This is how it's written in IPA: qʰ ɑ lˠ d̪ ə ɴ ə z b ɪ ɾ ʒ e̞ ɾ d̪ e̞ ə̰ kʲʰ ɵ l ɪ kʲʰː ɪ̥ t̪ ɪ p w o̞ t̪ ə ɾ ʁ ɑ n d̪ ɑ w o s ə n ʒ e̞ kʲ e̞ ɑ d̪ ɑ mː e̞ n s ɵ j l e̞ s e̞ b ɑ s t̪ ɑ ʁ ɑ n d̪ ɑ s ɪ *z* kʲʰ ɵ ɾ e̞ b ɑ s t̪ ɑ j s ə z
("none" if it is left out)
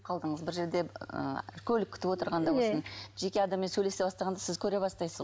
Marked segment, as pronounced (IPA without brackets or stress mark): z